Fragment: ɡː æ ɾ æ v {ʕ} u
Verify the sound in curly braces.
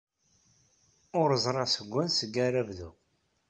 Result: incorrect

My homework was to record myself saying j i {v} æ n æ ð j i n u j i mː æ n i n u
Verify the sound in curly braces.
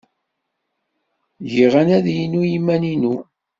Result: incorrect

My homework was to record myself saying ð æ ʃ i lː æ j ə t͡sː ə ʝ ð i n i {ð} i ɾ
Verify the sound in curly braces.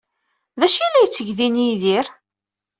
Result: correct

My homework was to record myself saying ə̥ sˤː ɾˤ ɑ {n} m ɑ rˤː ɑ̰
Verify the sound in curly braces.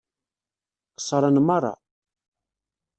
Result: correct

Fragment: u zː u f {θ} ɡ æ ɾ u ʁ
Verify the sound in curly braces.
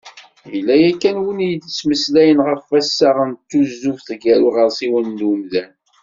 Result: correct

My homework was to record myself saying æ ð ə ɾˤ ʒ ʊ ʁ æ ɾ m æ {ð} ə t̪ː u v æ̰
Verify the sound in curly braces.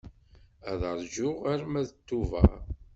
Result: correct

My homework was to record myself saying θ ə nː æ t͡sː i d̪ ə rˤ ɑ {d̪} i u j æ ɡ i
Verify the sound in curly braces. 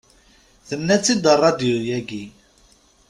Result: correct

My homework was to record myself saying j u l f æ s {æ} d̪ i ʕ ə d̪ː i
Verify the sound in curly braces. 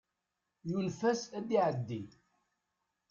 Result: correct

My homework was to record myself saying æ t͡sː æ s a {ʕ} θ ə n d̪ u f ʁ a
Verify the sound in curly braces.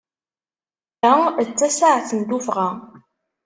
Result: correct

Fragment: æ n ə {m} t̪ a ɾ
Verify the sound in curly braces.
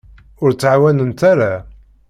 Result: incorrect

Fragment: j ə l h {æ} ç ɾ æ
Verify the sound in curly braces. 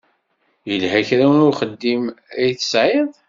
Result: correct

